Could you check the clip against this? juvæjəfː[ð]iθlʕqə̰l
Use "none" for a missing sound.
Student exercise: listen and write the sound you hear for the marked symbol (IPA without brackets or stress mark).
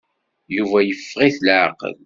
ʁ